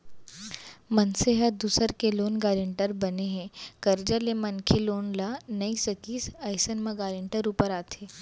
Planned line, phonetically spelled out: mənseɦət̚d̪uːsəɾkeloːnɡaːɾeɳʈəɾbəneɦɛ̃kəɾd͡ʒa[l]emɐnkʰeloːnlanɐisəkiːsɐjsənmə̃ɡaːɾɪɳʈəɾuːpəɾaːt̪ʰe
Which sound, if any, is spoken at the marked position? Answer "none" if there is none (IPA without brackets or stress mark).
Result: l